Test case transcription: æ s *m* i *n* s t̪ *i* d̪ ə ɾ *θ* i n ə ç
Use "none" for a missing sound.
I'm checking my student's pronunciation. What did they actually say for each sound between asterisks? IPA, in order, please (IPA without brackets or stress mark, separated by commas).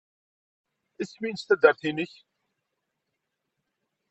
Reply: m, n, æ, θ